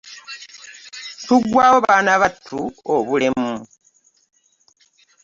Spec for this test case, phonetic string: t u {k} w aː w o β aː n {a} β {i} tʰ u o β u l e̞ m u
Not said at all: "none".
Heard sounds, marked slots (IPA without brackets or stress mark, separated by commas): ɡ, a, a